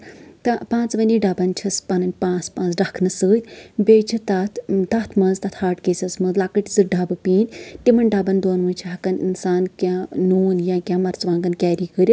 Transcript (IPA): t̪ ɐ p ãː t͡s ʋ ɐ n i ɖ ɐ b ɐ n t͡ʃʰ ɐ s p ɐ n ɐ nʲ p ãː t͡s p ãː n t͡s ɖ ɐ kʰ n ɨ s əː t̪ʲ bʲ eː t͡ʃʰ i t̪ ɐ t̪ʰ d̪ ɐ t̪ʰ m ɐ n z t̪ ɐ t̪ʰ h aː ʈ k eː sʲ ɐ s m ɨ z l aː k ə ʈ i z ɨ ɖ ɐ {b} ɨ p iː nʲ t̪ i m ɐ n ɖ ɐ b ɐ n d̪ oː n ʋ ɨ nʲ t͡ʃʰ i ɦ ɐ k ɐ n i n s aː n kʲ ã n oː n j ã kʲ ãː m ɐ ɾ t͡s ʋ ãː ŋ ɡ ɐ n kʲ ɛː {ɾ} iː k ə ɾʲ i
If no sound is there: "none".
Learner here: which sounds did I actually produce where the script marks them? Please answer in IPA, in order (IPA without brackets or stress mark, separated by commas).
b, ɾ